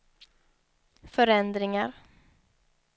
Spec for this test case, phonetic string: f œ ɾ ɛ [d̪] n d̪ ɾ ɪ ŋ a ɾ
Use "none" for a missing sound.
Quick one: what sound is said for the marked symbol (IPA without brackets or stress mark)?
none